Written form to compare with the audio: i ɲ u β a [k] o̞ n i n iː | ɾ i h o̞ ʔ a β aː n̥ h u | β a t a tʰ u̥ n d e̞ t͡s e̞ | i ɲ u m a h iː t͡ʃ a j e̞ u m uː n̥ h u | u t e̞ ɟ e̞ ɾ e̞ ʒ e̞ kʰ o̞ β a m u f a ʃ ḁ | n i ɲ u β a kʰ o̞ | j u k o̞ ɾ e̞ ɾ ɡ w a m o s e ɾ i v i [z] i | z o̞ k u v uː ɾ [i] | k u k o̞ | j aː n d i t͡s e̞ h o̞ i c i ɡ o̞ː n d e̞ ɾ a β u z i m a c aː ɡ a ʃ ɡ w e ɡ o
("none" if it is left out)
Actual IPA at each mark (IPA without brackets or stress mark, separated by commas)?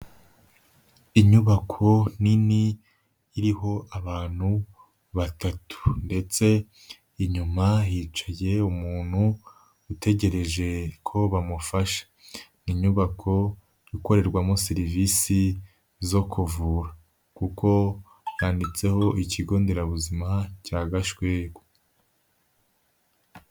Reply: kʰ, s, a